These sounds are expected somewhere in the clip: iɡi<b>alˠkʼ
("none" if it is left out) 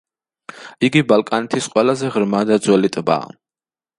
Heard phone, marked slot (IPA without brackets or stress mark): b